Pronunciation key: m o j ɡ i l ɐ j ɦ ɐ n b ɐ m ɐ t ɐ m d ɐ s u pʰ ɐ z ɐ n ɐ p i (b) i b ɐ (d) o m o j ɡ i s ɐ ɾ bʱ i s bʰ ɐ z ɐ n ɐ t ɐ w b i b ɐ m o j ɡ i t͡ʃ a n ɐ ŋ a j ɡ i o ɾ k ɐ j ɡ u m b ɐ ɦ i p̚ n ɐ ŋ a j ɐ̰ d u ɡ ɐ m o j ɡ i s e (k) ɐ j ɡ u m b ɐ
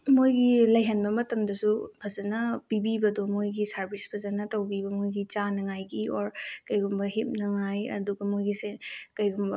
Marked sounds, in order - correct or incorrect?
correct, correct, correct

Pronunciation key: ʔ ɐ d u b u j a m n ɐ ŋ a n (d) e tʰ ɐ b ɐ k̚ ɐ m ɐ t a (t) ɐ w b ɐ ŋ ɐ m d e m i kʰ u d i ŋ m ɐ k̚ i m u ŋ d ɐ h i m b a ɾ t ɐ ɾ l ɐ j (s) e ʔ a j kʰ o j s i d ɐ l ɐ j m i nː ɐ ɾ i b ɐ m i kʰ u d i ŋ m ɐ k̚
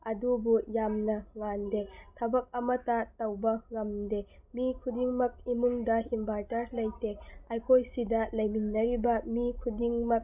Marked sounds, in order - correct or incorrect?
correct, correct, incorrect

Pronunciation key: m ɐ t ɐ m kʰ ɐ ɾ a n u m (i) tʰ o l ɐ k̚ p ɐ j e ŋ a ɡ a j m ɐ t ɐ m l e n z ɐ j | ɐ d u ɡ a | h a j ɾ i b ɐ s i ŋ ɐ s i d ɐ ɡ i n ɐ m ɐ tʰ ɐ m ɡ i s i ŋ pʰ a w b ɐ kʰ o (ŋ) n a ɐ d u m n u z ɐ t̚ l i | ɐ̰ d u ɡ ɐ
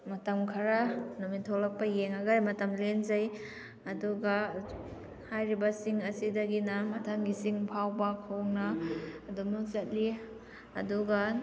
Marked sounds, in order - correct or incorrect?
correct, correct

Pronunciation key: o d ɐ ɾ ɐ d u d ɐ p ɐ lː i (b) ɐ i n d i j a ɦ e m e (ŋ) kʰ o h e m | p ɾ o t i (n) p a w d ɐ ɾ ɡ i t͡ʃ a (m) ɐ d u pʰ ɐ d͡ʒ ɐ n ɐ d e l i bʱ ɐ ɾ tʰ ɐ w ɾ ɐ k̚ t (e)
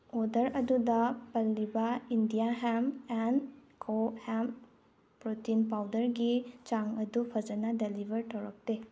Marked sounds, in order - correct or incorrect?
correct, incorrect, correct, incorrect, correct

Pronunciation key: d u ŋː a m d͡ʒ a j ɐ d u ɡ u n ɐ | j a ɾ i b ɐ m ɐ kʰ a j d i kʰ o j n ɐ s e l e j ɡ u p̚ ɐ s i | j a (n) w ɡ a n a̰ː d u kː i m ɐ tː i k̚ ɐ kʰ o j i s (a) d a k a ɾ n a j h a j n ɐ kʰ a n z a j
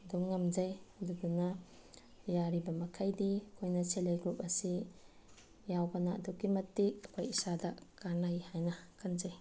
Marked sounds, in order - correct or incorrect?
incorrect, correct

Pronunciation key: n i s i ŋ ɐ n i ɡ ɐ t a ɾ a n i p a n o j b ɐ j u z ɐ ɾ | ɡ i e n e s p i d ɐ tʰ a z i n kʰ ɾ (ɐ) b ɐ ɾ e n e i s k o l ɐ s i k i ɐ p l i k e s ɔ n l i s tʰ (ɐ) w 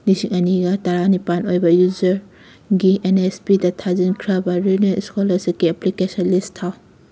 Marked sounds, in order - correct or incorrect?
incorrect, incorrect

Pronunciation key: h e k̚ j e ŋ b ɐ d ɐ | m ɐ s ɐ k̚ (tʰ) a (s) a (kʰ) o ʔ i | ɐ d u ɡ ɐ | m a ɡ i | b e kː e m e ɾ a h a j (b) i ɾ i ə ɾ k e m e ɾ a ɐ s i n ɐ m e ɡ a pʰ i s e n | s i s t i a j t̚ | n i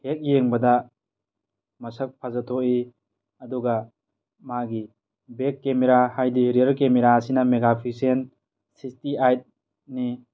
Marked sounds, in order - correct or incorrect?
incorrect, incorrect, incorrect, incorrect

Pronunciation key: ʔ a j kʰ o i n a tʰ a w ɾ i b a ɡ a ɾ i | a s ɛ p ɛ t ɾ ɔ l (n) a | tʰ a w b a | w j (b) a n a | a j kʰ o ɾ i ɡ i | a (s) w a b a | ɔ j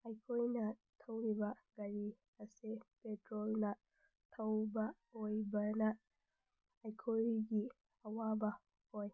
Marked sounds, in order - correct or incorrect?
correct, correct, incorrect

